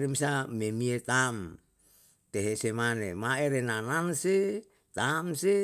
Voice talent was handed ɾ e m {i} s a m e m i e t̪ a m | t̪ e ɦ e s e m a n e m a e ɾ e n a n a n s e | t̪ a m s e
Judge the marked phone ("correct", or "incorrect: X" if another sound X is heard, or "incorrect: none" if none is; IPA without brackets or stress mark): correct